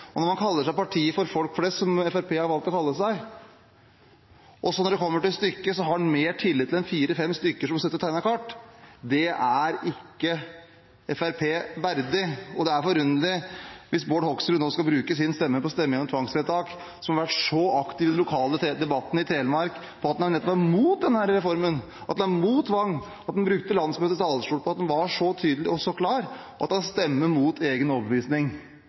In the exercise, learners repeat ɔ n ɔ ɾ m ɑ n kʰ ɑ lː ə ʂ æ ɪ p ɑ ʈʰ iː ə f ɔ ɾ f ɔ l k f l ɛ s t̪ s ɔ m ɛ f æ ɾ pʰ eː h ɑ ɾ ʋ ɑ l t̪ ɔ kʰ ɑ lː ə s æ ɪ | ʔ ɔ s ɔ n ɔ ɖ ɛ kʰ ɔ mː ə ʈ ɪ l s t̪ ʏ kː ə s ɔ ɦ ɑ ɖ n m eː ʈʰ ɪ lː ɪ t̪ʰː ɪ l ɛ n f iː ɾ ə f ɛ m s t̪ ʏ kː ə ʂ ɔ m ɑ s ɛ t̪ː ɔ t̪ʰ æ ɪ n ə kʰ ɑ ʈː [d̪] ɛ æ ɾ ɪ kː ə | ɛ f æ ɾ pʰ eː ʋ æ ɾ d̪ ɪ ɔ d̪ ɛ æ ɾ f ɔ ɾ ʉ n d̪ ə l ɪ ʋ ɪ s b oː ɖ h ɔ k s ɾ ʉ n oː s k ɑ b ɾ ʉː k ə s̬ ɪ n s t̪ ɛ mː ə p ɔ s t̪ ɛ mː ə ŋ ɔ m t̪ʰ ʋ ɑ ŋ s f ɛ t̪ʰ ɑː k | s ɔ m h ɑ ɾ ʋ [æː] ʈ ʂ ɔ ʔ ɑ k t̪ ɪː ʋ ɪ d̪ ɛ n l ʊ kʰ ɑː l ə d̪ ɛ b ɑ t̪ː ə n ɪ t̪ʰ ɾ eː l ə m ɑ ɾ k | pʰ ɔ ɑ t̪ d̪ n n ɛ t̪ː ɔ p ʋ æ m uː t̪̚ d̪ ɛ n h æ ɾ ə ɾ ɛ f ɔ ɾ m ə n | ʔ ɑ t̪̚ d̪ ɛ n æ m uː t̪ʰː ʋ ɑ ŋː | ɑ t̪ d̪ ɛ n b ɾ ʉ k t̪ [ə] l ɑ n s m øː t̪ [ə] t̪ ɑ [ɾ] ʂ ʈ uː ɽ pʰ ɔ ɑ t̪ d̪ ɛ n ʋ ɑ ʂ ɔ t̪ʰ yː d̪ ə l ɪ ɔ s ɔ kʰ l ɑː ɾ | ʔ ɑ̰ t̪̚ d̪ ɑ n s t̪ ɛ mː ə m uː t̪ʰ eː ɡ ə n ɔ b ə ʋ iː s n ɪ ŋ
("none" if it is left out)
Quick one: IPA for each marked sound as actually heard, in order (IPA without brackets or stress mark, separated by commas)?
d̪, æ, ə, ə, l